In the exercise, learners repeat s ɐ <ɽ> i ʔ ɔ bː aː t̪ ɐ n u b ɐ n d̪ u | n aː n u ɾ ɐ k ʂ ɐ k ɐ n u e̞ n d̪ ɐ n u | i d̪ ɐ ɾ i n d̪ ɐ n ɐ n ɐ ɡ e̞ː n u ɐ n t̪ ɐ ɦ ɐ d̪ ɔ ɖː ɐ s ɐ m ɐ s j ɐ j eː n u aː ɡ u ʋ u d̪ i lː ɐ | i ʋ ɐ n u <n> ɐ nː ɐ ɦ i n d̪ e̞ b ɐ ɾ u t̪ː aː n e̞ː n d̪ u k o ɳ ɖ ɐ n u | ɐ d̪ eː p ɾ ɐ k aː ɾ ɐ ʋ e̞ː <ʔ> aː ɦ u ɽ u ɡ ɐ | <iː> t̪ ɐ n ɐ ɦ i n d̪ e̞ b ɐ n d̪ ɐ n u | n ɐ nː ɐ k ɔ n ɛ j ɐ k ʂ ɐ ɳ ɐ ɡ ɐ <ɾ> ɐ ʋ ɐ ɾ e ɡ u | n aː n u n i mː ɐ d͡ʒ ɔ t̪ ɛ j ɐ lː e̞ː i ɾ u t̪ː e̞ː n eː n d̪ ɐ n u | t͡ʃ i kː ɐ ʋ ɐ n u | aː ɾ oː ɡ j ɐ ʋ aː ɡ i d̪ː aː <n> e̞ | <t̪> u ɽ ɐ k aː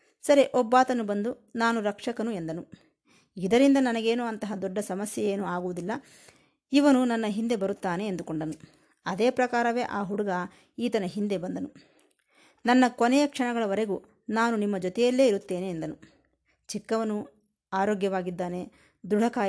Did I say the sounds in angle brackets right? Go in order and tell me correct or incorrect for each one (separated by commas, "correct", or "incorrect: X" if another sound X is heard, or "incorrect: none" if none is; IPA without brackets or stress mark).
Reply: incorrect: ɾ, correct, correct, correct, incorrect: ɭ, correct, incorrect: d̪